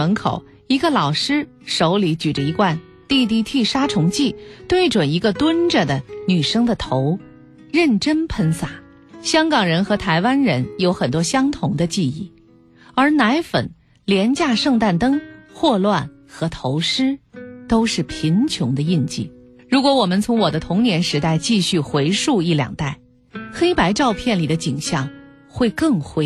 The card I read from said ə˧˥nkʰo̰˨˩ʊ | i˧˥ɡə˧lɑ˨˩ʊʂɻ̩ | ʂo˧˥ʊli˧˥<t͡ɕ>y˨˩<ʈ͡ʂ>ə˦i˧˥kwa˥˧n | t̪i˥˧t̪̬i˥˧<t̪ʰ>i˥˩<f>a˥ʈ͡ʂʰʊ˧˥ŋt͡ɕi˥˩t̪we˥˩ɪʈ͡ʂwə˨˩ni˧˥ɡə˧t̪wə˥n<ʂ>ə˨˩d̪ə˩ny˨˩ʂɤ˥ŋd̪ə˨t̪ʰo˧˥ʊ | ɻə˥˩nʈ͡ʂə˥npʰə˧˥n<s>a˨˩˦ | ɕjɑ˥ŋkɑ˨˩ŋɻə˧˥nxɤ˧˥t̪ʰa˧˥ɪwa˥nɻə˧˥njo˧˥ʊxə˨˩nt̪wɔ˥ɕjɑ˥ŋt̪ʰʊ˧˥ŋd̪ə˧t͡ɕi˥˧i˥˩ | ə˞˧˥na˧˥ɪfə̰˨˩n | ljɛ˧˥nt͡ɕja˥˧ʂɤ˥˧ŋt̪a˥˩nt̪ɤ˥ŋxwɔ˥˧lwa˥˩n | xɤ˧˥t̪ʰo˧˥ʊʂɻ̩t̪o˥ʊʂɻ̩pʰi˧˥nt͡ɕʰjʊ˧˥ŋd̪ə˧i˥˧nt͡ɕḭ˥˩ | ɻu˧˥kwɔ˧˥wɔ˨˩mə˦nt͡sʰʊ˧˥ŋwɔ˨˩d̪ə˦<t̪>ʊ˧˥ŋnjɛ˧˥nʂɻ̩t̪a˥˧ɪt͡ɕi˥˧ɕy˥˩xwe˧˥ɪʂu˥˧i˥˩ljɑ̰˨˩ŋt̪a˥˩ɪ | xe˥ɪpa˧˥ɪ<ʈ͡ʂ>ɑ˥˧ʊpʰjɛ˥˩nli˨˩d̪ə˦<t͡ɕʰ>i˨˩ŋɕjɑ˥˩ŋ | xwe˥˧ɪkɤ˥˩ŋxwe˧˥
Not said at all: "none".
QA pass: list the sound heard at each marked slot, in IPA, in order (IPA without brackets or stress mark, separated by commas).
t͡ɕ, ʈ͡ʂ, t̪ʰ, ʂ, ʈ͡ʂ, s, t̪ʰ, ʈ͡ʂ, t͡ɕ